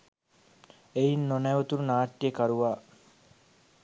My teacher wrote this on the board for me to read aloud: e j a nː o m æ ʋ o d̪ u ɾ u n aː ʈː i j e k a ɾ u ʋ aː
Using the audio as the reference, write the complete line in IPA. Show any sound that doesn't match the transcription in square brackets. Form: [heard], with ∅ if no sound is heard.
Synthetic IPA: e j [i] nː o [n] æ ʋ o [t̪] u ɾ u n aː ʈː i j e k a ɾ u ʋ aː